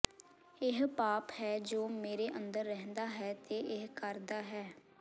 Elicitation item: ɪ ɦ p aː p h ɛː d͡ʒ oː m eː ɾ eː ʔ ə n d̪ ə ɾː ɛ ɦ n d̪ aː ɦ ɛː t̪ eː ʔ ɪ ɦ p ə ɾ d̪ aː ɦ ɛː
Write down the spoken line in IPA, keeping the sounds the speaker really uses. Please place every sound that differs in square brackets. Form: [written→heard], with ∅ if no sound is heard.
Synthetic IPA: ɪ ɦ p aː p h ɛː d͡ʒ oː m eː ɾ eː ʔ ə n d̪ ə ɾː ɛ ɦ n d̪ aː ɦ ɛː t̪ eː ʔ ɪ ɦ [p→k] ə ɾ d̪ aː ɦ ɛː